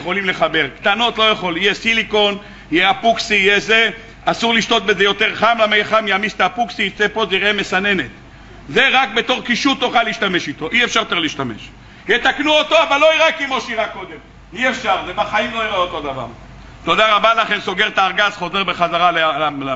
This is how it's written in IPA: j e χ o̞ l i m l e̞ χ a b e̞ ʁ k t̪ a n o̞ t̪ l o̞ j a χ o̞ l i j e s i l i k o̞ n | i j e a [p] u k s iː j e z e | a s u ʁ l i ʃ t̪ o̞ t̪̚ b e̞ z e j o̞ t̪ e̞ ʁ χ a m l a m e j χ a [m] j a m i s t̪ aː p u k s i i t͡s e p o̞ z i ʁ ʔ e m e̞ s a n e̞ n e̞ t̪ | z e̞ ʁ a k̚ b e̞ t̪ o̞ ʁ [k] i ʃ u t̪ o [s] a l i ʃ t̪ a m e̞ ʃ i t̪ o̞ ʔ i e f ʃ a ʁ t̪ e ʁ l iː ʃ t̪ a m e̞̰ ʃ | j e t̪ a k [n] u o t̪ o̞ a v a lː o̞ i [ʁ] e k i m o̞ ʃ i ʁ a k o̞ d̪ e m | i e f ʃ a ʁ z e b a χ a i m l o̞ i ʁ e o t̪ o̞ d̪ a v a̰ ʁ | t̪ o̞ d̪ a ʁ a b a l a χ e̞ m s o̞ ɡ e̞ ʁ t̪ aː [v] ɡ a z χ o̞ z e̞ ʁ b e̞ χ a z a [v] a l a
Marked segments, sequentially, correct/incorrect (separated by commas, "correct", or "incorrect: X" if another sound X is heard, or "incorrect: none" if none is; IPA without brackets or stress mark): correct, correct, correct, incorrect: χ, correct, correct, incorrect: ʁ, incorrect: ʁ